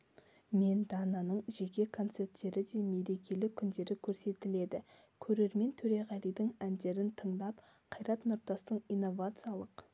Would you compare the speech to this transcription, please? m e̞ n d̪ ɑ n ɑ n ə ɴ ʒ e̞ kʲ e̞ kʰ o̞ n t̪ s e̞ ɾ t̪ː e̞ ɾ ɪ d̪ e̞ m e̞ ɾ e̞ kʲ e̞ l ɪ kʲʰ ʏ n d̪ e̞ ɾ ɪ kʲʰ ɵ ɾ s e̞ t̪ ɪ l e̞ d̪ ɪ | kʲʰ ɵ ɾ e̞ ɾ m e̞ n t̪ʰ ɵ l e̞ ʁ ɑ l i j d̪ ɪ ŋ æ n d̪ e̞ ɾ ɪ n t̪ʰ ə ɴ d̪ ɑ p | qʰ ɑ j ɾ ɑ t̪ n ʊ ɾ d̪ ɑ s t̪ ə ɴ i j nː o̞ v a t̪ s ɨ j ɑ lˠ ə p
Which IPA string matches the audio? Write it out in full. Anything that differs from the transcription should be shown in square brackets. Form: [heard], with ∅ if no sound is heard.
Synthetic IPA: m e̞ n d̪ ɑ n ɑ n ə ɴ ʒ e̞ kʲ e̞ kʰ o̞ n t̪ s e̞ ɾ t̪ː e̞ ɾ ɪ d̪ e̞ m e̞ ɾ e̞ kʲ e̞ l ɪ kʲʰ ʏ n d̪ e̞ ɾ ɪ kʲʰ ɵ ɾ s e̞ t̪ ɪ l e̞ d̪ ɪ | kʲʰ ɵ ɾ e̞ ɾ m e̞ n t̪ʰ ɵ [ɾ] e̞ ʁ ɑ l i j d̪ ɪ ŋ æ n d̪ e̞ ɾ ɪ n t̪ʰ ə ɴ d̪ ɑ p | qʰ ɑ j ɾ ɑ t̪ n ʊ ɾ [t̪] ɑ s t̪ ə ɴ i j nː o̞ v a t̪ s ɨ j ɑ lˠ ə [q]